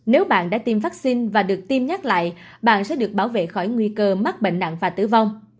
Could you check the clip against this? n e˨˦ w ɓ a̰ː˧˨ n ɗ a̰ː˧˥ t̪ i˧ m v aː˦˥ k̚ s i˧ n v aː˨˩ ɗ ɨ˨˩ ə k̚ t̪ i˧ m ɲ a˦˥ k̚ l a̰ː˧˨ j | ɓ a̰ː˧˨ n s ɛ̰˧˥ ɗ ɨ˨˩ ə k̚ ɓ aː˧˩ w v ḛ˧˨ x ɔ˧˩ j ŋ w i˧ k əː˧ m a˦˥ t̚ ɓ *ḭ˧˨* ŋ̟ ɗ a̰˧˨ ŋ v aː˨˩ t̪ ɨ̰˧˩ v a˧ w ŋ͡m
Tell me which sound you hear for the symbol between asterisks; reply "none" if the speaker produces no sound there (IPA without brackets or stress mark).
ḛ˧˨